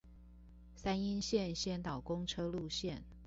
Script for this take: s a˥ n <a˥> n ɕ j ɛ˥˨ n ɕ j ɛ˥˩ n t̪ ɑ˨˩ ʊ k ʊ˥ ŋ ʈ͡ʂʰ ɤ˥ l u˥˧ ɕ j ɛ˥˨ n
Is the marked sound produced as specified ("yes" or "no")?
no